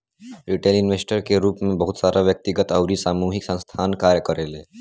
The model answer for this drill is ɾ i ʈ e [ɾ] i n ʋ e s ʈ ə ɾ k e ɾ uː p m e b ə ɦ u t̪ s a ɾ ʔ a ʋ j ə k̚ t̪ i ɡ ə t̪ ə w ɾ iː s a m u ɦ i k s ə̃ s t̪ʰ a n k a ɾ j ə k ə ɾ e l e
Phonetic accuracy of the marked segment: incorrect: l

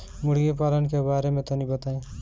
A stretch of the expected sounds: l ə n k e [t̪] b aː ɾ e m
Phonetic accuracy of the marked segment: incorrect: none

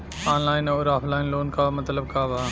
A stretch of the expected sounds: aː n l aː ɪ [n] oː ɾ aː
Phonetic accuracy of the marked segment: correct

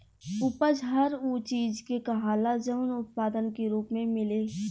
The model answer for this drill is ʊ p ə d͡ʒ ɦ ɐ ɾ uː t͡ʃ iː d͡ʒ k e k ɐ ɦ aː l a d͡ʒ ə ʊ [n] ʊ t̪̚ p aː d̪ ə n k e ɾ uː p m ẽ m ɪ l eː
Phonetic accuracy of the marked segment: correct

